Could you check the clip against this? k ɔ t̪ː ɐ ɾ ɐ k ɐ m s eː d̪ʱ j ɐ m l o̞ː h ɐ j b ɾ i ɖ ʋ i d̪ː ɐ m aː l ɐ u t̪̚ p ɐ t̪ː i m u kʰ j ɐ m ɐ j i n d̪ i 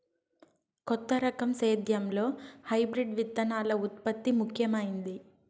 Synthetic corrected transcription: k ɔ t̪ː ɐ ɾ ɐ k ɐ m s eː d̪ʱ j ɐ m l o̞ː h ɐ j b ɾ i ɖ ʋ i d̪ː ɐ n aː l ɐ u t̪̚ p ɐ t̪ː i m u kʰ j ɐ m ɐ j i n d̪ i